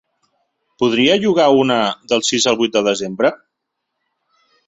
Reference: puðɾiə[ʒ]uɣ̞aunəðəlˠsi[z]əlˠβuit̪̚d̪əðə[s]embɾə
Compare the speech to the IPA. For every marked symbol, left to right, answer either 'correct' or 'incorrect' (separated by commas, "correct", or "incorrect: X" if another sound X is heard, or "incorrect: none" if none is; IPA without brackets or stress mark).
correct, correct, incorrect: z